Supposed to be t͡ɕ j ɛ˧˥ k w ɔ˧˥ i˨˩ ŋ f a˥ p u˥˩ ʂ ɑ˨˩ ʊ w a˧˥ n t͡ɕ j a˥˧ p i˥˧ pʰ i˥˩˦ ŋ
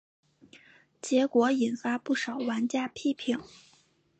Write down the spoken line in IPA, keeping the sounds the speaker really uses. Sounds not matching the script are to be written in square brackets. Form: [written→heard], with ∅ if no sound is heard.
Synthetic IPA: t͡ɕ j ɛ˧˥ k w ɔ˧˥ i˨˩ [ŋ→n] f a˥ p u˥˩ ʂ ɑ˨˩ ʊ w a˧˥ n t͡ɕ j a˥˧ [p→pʰ] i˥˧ pʰ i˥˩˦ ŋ

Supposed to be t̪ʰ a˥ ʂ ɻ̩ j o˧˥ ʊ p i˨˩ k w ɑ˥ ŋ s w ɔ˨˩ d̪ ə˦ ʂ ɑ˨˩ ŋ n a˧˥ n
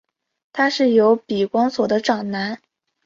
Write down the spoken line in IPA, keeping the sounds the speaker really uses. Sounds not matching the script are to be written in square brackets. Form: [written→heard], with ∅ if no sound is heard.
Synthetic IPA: t̪ʰ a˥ ʂ ɻ̩ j o˧˥ ʊ p i˨˩ k w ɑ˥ ŋ s w ɔ˨˩ d̪ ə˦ [ʂ→ʈ͡ʂ] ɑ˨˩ ŋ n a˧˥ n

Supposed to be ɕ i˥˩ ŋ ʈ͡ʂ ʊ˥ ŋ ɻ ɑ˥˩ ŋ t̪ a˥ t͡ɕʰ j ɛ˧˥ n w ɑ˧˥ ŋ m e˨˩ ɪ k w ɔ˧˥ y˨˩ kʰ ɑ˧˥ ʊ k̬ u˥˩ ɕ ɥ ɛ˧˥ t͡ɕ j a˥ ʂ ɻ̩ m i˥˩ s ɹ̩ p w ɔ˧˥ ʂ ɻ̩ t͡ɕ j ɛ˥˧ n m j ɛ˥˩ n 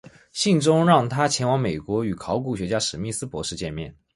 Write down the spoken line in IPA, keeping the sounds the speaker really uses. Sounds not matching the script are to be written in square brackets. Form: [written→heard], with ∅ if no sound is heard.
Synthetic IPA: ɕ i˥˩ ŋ ʈ͡ʂ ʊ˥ ŋ ɻ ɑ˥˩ ŋ [t̪→t̪ʰ] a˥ t͡ɕʰ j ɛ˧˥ n w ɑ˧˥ ŋ m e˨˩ ɪ k w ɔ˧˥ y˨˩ kʰ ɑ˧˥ ʊ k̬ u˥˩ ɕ ɥ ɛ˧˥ t͡ɕ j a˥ ʂ ɻ̩ m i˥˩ s ɹ̩ p w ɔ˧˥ ʂ ɻ̩ t͡ɕ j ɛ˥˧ n m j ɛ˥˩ n

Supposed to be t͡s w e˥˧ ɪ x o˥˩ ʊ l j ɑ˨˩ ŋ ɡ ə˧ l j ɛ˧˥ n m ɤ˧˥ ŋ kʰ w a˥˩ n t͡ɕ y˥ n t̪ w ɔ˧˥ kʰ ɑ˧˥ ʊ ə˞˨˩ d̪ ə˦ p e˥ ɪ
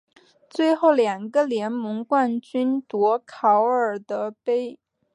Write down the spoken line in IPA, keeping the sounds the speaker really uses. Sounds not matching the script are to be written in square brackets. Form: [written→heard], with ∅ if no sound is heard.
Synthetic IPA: t͡s w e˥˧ ɪ x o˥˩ ʊ l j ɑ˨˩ ŋ ɡ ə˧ l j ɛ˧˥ n m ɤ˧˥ ŋ [kʰ→k] w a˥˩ n t͡ɕ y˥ n t̪ w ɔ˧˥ kʰ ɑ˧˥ ʊ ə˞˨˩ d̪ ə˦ p e˥ ɪ

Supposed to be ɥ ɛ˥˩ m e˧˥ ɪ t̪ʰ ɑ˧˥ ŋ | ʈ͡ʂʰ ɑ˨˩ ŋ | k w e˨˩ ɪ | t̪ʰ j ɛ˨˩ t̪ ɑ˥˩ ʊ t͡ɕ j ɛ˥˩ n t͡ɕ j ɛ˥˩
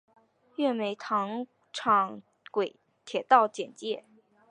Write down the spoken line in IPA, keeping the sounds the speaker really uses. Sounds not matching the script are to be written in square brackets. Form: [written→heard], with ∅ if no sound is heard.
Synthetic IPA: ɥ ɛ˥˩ m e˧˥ ɪ t̪ʰ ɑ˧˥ ŋ | ʈ͡ʂʰ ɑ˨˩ ŋ | k w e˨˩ ɪ | t̪ʰ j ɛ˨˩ t̪ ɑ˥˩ ʊ t͡ɕ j [ɛ˥˩→ɛ˨˩] n t͡ɕ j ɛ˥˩

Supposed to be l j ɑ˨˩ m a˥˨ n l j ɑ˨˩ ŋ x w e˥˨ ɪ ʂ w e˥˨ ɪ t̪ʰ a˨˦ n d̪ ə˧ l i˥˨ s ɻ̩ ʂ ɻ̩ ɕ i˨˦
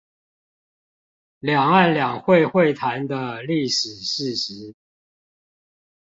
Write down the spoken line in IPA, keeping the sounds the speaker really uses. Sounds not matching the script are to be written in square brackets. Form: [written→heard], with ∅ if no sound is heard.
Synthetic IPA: l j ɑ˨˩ [m→ŋ] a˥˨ n l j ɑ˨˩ ŋ x w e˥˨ ɪ [ʂ→x] w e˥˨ ɪ t̪ʰ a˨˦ n d̪ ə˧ l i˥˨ [s→ʂ] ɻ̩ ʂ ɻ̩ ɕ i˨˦

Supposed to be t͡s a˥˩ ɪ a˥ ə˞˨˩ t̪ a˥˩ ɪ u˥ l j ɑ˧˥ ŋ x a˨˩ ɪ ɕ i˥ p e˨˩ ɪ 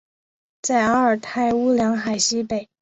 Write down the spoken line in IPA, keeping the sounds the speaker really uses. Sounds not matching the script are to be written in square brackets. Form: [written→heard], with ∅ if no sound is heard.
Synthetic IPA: t͡s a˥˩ ɪ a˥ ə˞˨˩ [t̪→t̪ʰ] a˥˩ ɪ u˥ l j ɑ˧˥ ŋ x a˨˩ ɪ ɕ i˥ p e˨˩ ɪ

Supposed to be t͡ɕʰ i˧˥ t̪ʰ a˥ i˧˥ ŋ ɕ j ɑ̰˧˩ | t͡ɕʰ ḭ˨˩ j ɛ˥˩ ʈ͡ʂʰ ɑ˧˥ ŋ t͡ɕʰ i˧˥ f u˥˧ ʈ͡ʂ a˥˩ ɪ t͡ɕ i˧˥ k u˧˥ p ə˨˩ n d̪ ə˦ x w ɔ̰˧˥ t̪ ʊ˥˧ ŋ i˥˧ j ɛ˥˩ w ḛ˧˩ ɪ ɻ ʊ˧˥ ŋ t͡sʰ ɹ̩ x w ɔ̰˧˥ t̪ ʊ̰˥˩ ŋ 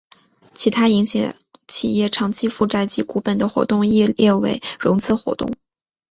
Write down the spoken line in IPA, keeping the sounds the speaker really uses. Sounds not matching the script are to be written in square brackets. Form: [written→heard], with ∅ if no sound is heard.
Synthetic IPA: t͡ɕʰ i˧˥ t̪ʰ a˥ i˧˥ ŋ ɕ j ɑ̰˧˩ | t͡ɕʰ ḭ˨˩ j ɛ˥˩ ʈ͡ʂʰ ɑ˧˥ ŋ t͡ɕʰ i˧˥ f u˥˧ ʈ͡ʂ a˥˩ ɪ t͡ɕ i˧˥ k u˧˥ p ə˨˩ n d̪ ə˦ x w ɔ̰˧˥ t̪ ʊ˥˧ ŋ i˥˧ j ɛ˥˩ w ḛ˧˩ ɪ ɻ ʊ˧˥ ŋ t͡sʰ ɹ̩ x w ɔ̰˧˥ t̪ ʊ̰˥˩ ŋ

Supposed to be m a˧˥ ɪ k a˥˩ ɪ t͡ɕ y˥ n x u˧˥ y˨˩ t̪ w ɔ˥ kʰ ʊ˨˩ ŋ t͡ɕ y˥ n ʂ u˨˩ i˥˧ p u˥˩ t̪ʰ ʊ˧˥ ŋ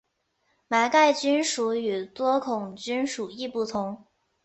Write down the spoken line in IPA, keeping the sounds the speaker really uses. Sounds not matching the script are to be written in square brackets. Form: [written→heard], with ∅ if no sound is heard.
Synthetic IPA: m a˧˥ ɪ k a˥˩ ɪ t͡ɕ y˥ n [x→ʂ] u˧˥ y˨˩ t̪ w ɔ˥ kʰ ʊ˨˩ ŋ t͡ɕ y˥ n ʂ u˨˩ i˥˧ p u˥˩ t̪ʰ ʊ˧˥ ŋ

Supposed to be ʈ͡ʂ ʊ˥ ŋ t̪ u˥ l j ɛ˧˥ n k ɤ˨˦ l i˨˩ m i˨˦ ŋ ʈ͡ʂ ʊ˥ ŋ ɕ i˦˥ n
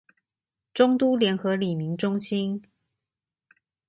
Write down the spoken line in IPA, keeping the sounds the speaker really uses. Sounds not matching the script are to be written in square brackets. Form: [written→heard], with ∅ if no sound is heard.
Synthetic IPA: ʈ͡ʂ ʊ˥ ŋ t̪ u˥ l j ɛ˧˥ n [k→x] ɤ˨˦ l i˨˩ m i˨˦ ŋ ʈ͡ʂ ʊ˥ ŋ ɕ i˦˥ n

